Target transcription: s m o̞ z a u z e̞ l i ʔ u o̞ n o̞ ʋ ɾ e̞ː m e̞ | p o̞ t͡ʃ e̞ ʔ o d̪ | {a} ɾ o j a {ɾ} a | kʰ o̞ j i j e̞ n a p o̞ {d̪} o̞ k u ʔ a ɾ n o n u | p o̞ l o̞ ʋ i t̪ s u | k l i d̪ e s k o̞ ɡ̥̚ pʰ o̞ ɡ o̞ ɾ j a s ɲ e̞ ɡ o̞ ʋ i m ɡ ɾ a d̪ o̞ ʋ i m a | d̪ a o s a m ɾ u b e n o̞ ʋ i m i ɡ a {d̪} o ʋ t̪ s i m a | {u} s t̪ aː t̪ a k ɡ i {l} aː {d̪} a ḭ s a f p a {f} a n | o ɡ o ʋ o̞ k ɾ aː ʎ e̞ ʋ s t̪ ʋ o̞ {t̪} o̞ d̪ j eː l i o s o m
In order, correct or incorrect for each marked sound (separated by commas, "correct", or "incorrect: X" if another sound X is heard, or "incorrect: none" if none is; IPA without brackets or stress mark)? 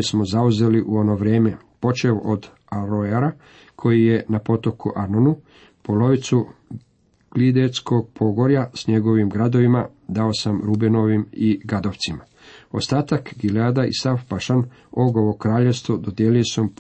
correct, correct, incorrect: t̪, correct, incorrect: o, correct, correct, incorrect: ʃ, incorrect: d̪